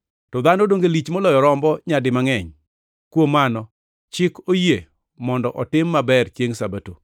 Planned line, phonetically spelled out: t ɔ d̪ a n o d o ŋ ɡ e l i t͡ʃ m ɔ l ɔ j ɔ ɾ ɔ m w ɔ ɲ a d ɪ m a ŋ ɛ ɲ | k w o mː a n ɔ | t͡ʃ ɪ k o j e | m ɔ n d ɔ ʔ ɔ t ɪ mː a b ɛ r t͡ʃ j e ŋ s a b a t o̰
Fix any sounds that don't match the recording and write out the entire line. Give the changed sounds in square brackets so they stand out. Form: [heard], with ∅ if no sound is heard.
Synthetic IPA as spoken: t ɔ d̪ a n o d o ŋ ɡ e l i t͡ʃ m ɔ l ɔ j ɔ ɾ ɔ m [b] ɔ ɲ a d ɪ m a ŋ ɛ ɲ | k w o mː a n ɔ | t͡ʃ ɪ k o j e | m ɔ n d ɔ ʔ ɔ t ɪ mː a b ɛ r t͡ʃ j e ŋ s a b a t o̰